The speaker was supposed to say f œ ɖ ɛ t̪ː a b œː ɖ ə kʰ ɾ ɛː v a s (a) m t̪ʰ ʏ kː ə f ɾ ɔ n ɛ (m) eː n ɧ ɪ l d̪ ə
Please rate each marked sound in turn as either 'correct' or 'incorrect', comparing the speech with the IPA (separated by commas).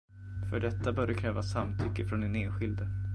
correct, incorrect